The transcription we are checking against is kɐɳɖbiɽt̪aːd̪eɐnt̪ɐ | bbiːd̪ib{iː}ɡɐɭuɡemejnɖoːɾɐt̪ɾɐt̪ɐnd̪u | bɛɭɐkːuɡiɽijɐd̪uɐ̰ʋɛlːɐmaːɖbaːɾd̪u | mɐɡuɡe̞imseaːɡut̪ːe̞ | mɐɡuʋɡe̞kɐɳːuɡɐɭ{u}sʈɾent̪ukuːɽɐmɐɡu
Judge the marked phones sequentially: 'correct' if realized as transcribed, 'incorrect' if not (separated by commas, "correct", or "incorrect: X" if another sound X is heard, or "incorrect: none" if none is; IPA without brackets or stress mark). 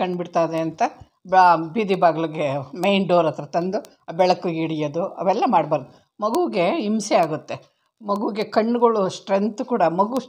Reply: incorrect: aː, correct